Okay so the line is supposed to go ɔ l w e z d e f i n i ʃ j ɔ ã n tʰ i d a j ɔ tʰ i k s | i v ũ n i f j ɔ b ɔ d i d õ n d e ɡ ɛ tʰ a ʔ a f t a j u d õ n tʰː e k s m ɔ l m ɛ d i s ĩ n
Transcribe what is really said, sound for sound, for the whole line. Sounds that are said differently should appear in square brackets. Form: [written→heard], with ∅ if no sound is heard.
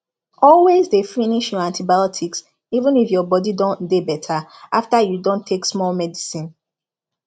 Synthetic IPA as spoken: ɔ l w e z d e f i n i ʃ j ɔ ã n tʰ i [d→b] a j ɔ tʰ i k s | i v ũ n i f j ɔ b ɔ d i d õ n d e [ɡ→b] ɛ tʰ a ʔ a f t a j u d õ n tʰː e k s m ɔ l m ɛ d i s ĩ n